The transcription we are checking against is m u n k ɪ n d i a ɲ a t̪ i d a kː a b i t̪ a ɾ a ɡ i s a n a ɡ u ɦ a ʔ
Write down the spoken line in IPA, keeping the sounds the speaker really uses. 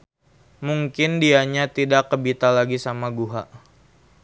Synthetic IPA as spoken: m u ŋ k ɪ n d i a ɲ a t̪ i d a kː ə b i t̪ a l a ɡ i s a m a ɡ u ɦ a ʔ